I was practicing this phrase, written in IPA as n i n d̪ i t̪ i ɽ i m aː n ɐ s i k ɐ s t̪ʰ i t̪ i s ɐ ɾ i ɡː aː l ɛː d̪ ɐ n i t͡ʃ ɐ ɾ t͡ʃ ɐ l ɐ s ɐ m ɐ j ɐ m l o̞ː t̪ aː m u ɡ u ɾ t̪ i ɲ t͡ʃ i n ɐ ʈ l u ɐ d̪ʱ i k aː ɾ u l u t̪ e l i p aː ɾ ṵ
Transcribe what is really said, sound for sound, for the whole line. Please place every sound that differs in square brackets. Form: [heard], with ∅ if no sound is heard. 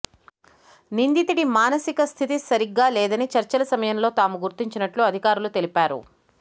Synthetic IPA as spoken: n i n d̪ i t̪ i ɽ i m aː n ɐ s i k ɐ s t̪ʰ i t̪ i s ɐ ɾ i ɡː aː l ɛː d̪ ɐ n i t͡ʃ ɐ ɾ t͡ʃ ɐ l ɐ s ɐ m ɐ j ɐ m l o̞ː t̪ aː m u ɡ u ɾ t̪ i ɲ t͡ʃ i n ɐ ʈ l u ɐ d̪ʱ i k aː ɾ u l u t̪ e l i p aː ɾ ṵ